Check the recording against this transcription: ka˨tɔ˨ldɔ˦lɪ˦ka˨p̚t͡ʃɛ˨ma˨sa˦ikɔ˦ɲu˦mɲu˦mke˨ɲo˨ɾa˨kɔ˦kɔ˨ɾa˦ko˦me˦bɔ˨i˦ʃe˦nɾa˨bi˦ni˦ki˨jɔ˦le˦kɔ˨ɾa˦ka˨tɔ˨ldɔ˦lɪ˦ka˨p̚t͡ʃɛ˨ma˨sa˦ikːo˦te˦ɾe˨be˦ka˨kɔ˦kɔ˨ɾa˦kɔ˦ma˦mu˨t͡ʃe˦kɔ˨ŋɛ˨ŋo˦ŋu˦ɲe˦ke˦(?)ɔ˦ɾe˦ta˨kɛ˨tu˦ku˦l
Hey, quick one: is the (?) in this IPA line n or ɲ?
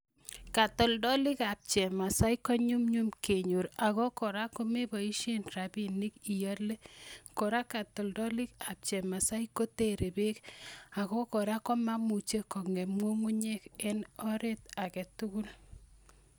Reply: n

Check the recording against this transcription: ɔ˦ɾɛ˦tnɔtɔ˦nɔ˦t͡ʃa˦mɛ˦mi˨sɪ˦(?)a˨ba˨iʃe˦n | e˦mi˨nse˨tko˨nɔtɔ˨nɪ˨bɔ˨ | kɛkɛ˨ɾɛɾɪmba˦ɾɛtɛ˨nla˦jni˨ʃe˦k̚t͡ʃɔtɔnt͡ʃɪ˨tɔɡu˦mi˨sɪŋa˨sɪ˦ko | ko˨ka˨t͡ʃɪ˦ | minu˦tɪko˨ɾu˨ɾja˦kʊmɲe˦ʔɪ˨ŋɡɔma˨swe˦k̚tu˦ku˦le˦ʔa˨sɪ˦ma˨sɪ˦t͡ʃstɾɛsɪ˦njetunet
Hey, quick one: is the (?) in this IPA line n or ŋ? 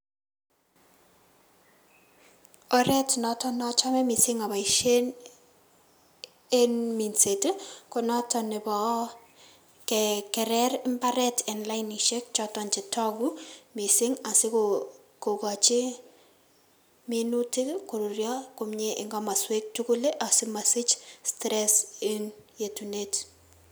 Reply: ŋ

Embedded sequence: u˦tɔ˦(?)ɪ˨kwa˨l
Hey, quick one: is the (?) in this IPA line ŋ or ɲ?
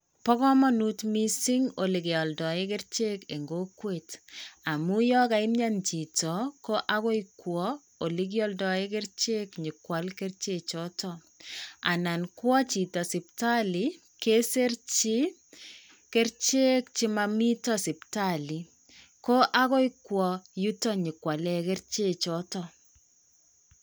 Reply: ɲ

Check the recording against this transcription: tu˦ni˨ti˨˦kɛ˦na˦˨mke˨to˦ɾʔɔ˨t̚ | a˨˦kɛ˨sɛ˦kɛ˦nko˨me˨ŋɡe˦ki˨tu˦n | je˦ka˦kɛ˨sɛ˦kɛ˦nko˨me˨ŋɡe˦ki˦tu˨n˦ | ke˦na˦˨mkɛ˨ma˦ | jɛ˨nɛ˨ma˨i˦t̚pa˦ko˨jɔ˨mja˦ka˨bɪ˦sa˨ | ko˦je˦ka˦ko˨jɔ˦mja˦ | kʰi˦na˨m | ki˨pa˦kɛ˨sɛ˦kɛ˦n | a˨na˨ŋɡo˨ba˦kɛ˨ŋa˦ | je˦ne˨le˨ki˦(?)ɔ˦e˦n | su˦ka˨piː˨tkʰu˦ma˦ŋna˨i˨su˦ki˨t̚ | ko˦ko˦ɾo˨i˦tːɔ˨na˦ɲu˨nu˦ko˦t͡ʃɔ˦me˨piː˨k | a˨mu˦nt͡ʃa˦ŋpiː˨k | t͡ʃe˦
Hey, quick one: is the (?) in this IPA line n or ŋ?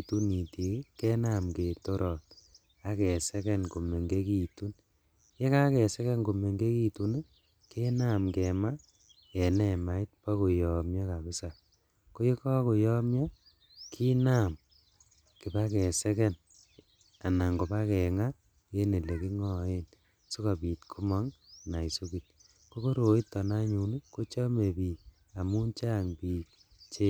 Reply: ŋ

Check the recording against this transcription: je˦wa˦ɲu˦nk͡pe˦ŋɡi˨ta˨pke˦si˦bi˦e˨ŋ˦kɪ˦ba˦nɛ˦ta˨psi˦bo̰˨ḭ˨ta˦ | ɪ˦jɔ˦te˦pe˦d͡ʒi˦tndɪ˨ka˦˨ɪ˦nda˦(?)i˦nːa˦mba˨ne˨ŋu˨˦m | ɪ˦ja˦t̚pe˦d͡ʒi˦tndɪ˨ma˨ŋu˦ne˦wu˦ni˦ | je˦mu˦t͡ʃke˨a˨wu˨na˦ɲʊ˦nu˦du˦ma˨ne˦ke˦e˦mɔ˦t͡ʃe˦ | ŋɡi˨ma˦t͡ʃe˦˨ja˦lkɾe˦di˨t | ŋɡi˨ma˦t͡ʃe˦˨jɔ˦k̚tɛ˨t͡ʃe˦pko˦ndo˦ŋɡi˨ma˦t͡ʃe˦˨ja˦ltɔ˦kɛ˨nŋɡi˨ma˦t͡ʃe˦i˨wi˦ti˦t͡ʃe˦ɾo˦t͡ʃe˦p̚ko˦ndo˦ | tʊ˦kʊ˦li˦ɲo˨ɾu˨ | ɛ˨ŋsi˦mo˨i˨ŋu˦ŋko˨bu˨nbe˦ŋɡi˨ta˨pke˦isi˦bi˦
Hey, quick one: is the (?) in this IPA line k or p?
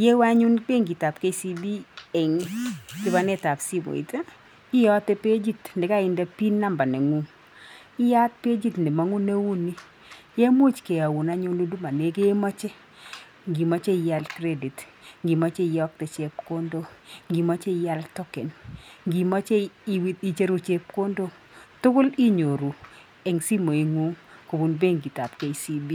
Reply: p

